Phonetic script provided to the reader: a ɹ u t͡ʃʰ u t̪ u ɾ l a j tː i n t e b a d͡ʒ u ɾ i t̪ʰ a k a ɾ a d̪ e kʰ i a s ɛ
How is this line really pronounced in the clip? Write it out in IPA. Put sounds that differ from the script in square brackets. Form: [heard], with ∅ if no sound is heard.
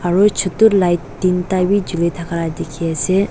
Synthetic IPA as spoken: a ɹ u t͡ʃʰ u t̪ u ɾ l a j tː i n t [a] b [i] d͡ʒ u [l] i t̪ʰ a k a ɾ a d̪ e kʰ i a s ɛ

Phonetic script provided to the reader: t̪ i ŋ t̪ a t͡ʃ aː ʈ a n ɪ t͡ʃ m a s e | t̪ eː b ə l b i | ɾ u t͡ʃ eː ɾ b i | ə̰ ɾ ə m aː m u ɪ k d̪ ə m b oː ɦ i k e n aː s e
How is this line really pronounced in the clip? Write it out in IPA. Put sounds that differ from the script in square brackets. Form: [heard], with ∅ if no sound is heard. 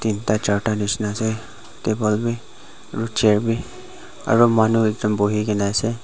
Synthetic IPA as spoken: t̪ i [n] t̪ a t͡ʃ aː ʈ a n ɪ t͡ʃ [n] a s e | t̪ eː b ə l b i | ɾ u t͡ʃ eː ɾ b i | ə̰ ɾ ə m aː [n] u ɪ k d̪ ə m b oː ɦ i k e n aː s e

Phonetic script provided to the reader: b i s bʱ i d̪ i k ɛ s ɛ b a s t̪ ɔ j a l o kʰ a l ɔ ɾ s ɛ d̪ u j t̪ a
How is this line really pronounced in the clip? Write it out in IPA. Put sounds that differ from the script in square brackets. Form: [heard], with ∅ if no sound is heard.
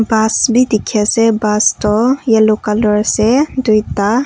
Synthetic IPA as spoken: b [a] s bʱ i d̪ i [kʰ] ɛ s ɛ b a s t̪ ɔ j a l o [k] a l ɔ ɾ s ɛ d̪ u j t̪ a

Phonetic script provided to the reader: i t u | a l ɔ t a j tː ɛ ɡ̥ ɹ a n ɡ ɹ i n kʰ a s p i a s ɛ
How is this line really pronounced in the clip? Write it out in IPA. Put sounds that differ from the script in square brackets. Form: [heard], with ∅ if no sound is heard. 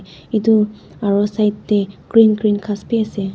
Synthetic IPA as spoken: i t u | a [ɹ] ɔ [s] a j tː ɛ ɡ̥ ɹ [i] n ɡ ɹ i n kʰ a s p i a s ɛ

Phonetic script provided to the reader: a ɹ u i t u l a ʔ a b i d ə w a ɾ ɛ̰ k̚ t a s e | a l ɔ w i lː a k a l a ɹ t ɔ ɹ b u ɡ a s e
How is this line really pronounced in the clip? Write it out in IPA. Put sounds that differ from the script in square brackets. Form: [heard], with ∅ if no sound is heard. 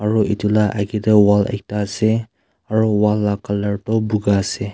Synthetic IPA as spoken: a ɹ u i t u l a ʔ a [ɡ] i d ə w a [l] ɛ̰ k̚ t a s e | a [ɹ] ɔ w [a] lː a k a l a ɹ t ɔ [∅] b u ɡ a s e

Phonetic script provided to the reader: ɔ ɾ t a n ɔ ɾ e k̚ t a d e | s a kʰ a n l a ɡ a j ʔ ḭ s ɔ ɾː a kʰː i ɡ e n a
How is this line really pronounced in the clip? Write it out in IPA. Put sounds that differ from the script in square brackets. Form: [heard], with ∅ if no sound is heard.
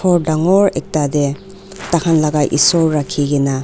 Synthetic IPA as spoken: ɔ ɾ [d] a [ŋ] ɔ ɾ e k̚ t a d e | [t] a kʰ a n l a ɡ a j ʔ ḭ s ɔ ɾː a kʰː i ɡ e n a

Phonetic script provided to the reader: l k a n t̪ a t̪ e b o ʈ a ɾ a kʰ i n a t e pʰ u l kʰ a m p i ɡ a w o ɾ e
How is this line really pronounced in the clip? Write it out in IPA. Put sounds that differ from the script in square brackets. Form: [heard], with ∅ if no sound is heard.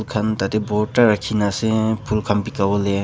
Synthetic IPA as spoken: l [kʰ] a n t̪ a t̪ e b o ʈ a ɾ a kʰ i n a [s] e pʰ u l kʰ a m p i [k] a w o [l] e

